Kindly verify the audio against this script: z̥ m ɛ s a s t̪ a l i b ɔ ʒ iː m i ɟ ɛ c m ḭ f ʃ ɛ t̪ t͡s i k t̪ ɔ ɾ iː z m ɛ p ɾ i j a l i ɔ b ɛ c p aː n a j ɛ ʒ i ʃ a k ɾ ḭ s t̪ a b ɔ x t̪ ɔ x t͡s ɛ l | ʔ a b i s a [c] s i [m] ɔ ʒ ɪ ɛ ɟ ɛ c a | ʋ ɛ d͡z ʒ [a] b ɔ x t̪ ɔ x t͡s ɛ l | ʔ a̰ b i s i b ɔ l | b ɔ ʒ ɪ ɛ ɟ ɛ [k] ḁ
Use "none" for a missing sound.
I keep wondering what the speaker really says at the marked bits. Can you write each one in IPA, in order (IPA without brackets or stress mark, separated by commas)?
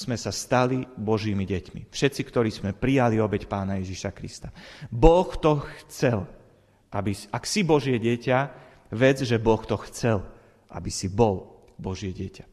k, b, ɛ, c